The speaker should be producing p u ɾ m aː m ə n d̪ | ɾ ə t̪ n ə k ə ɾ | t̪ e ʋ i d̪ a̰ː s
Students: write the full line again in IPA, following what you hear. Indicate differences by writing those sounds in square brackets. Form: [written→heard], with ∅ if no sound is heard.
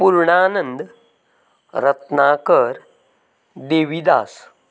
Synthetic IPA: p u ɾ [m→ɳ] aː [m→n] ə n d̪ | ɾ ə t̪ n [ə→a] k ə ɾ | [t̪→d̪] e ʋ i d̪ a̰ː s